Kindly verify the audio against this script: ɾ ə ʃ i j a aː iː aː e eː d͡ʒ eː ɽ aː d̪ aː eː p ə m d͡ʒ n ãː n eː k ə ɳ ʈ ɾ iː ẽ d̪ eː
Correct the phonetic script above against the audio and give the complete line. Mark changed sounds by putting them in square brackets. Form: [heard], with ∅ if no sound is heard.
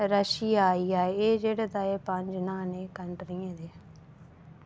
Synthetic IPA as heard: ɾ ə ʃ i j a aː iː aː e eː d͡ʒ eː ɽ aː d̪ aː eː p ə [ɲ] d͡ʒ n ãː n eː k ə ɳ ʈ ɾ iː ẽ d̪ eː